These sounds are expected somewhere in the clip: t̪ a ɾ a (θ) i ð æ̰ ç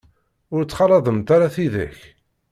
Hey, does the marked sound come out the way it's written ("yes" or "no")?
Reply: yes